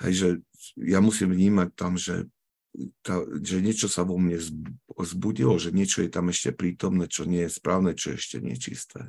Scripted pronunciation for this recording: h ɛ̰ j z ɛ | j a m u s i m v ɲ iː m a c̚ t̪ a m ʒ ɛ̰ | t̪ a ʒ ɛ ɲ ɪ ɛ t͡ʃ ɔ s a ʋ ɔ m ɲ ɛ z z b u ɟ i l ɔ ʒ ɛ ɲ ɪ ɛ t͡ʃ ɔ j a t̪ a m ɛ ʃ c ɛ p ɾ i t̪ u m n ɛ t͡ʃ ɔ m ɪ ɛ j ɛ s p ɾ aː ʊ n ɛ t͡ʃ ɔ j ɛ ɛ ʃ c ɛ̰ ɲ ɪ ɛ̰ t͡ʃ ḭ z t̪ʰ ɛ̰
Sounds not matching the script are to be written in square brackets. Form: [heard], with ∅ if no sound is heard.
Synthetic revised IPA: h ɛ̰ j [ʒ] ɛ | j a m u s i m v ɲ iː m a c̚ t̪ a m ʒ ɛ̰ | t̪ a ʒ ɛ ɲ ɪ ɛ t͡ʃ ɔ s a ʋ ɔ m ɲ ɛ z z b u ɟ i l ɔ ʒ ɛ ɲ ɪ ɛ t͡ʃ ɔ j [ɛ] t̪ a m ɛ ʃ c ɛ p ɾ [iː] t̪ [ɔ] m n ɛ t͡ʃ ɔ [ɲ] ɪ ɛ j ɛ s p ɾ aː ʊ n ɛ t͡ʃ ɔ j ɛ ɛ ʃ c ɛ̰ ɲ ɪ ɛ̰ t͡ʃ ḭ [s] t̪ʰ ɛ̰